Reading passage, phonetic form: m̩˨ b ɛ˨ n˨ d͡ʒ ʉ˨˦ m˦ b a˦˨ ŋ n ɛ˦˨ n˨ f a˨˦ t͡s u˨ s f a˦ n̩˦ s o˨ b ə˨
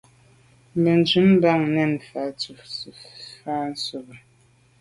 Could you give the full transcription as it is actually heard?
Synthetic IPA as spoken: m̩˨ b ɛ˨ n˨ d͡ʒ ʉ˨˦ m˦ b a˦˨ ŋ n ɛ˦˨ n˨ f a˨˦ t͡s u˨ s f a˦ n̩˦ s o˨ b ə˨